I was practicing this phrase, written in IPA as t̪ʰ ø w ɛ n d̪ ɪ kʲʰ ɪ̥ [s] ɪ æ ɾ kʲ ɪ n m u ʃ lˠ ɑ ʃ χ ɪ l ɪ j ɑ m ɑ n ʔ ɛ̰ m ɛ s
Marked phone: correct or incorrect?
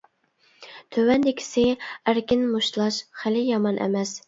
correct